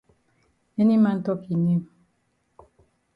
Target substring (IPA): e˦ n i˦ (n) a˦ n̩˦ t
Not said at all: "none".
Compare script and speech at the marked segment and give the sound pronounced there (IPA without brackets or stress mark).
m